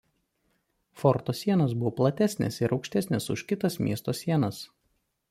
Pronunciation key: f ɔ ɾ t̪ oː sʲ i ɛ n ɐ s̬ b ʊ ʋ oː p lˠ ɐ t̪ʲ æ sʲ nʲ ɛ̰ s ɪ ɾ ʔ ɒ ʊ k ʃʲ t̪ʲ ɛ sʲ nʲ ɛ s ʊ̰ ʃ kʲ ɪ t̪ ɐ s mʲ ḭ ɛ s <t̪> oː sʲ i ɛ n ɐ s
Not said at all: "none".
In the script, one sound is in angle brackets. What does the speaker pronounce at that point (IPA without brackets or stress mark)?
t̪